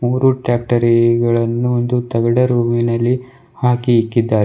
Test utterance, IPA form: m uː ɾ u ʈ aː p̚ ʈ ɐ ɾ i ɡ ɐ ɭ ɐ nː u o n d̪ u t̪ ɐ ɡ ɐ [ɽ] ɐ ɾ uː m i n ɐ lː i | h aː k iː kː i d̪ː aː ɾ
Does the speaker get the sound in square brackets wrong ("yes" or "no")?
no